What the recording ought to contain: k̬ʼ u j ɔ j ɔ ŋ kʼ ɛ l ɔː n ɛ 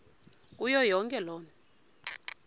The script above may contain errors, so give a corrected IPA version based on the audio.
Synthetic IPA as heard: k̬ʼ u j ɔ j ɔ ŋ kʼ ɛ l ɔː n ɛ